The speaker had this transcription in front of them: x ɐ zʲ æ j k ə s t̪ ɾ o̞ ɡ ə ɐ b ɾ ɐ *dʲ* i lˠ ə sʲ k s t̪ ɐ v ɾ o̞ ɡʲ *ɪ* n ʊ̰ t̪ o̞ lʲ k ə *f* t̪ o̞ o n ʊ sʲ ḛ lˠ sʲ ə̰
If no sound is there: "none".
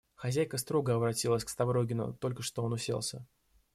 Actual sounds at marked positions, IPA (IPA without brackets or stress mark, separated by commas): tʲ, ɪ, ʂ